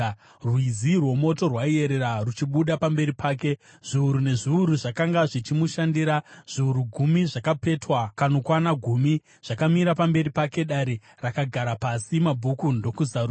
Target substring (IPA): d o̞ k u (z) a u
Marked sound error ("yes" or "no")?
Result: no